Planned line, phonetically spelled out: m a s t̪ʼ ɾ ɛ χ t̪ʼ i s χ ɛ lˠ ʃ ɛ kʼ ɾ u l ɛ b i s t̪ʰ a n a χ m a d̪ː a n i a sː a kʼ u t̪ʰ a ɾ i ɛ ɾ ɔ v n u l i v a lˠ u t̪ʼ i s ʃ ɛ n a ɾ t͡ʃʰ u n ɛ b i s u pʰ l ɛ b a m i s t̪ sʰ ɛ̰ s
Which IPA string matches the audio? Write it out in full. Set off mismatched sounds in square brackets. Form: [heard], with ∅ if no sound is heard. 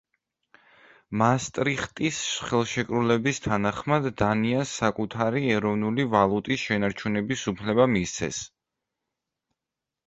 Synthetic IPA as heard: m a s t̪ʼ ɾ [i] χ t̪ʼ i s χ ɛ lˠ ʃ ɛ kʼ ɾ u l ɛ b i s t̪ʰ a n a χ m a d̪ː a n i a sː a kʼ u t̪ʰ a ɾ i ɛ ɾ ɔ v n u l i v a lˠ u t̪ʼ i s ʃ ɛ n a ɾ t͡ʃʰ u n ɛ b i s u pʰ l ɛ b a m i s t̪ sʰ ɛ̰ s